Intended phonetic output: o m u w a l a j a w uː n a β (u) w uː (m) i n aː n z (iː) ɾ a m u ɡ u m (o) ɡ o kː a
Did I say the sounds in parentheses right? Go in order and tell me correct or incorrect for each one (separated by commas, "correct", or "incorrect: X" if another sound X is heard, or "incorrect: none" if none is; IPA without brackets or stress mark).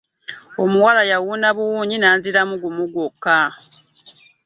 correct, incorrect: ɲ, incorrect: i, incorrect: u